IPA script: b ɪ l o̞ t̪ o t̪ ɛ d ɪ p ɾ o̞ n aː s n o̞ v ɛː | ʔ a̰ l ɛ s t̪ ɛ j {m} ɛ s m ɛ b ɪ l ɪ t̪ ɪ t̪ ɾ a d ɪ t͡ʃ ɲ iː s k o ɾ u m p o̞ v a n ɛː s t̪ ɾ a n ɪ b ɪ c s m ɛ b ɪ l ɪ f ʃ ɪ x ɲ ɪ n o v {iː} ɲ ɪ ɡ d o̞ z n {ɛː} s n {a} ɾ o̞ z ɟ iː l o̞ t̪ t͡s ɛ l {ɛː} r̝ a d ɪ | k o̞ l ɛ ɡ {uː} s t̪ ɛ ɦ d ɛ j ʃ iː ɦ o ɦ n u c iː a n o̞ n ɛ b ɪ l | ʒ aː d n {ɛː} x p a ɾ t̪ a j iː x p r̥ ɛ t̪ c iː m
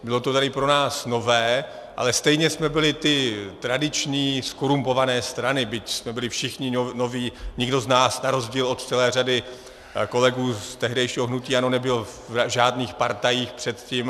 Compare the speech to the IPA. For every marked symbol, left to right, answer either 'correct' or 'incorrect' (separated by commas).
incorrect, correct, incorrect, correct, correct, correct, incorrect